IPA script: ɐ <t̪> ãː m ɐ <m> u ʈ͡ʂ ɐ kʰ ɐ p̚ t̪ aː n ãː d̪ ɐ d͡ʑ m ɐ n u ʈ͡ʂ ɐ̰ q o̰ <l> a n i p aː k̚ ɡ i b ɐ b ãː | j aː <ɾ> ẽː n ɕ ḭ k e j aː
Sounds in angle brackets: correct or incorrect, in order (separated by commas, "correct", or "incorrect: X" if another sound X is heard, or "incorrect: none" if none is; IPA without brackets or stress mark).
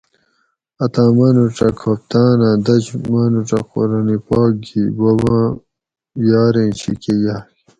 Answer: correct, incorrect: n, incorrect: ɾ, correct